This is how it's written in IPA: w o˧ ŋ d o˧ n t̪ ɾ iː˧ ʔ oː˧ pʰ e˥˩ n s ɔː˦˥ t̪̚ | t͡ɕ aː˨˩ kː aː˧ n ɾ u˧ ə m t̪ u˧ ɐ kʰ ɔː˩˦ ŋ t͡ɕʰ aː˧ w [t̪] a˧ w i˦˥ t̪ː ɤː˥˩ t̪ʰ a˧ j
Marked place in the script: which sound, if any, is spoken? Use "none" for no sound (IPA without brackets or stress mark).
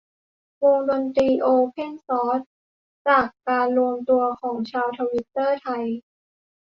t̪ʰ